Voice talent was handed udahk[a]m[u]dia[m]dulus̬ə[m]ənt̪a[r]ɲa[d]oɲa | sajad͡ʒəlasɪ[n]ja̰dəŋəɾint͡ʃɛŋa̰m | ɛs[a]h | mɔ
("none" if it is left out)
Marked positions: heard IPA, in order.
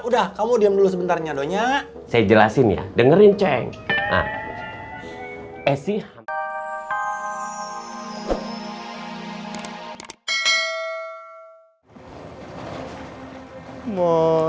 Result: a, u, m, b, r, d, n, i

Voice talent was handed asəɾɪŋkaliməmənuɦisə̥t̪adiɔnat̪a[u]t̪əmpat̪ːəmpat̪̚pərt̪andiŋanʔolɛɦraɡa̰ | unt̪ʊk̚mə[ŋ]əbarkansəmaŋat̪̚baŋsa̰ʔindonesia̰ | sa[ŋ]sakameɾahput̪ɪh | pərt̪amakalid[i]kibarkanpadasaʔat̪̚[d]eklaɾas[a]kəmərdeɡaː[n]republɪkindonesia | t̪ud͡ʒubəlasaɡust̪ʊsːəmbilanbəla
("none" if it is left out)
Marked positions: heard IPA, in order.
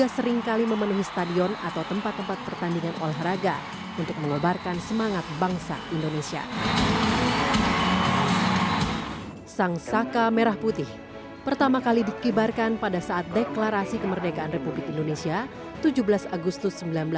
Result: w, ŋ, ŋ, i, d, i, n

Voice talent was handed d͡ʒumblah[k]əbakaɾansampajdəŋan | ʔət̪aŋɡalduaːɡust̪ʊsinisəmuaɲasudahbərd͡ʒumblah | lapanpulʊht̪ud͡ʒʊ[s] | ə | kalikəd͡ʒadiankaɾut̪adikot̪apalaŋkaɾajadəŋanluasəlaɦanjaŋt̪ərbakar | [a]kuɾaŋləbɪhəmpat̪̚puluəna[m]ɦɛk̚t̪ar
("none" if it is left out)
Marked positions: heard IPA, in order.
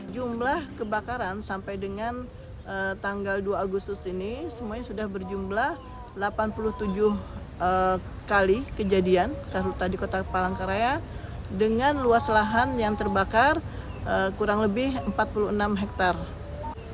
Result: k, h, ə, m

